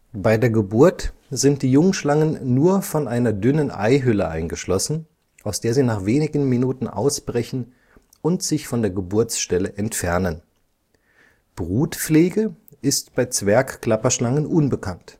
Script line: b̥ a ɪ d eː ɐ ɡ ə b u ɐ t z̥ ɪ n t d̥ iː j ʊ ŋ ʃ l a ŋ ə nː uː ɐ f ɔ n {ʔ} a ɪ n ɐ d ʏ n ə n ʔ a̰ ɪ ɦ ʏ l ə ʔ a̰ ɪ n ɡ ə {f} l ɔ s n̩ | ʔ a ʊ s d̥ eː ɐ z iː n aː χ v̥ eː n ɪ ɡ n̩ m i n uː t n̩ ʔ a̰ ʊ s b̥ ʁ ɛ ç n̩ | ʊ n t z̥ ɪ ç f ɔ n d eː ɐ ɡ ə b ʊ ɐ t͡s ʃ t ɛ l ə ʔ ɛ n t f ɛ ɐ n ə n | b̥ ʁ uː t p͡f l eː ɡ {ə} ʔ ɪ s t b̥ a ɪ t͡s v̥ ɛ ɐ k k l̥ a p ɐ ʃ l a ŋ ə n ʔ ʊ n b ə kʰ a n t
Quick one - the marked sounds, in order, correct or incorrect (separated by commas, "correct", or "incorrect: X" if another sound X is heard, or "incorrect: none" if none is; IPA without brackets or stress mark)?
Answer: correct, incorrect: ʃ, correct